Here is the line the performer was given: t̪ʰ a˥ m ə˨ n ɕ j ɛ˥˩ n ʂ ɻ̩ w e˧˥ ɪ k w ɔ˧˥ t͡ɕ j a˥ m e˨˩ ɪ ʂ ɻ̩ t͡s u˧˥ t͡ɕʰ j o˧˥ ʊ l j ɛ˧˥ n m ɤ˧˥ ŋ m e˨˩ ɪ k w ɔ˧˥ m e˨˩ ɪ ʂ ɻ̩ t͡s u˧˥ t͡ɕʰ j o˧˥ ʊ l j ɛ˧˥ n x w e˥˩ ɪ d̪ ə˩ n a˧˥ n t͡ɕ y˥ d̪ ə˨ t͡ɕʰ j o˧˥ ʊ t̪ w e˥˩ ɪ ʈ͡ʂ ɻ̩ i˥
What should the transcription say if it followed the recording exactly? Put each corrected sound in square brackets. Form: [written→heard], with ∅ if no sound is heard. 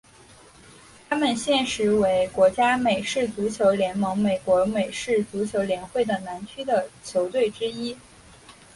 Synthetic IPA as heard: t̪ʰ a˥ m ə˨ n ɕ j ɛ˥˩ n ʂ ɻ̩ w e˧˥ ɪ k w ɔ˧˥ t͡ɕ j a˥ m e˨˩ ɪ ʂ ɻ̩ t͡s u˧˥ t͡ɕʰ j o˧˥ ʊ l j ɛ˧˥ n m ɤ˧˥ ŋ m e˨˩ ɪ k w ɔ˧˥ m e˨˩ ɪ ʂ ɻ̩ t͡s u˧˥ t͡ɕʰ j o˧˥ ʊ l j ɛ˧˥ n x w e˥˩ ɪ d̪ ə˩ n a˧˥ n [t͡ɕ→t͡ɕʰ] y˥ d̪ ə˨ t͡ɕʰ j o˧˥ ʊ t̪ w e˥˩ ɪ ʈ͡ʂ ɻ̩ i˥